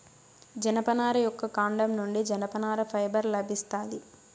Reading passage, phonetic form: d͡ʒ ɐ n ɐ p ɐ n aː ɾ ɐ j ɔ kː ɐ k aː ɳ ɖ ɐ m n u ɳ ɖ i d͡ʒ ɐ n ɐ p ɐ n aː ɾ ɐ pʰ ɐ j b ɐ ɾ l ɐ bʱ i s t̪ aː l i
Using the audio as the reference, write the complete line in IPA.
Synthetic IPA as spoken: d͡ʒ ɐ n ɐ p ɐ n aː ɾ ɐ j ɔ kː ɐ k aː ɳ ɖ ɐ m n u ɳ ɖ i d͡ʒ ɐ n ɐ p ɐ n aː ɾ ɐ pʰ ɐ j b ɐ ɾ l ɐ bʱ i s t̪ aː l i